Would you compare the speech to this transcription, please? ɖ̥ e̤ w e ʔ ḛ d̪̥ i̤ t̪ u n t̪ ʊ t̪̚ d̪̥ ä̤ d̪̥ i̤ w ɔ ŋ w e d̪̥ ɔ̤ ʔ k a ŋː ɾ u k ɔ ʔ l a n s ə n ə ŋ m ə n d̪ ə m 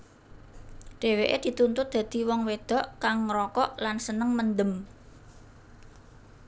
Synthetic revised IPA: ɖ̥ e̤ w e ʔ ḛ d̪̥ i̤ t̪ u n t̪ ʊ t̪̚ d̪̥ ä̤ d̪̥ i̤ w ɔ ŋ w e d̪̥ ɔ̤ ʔ k a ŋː ɾ ɔ k ɔ ʔ l a n s ə n ə ŋ m ə n d̪ ə m